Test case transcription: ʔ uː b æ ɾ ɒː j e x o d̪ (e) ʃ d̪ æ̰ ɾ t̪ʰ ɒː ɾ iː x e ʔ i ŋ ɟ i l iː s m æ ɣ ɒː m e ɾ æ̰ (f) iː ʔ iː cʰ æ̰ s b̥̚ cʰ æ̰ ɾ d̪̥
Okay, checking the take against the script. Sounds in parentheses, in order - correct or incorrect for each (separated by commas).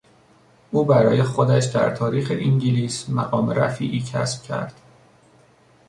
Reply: incorrect, correct